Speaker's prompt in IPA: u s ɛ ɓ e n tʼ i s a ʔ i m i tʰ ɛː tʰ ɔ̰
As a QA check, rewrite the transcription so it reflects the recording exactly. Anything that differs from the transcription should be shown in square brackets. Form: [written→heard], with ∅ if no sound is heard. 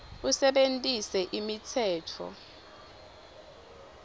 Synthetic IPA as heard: u s ɛ ɓ e n tʼ i s [a→ɛ] ʔ i m i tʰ ɛː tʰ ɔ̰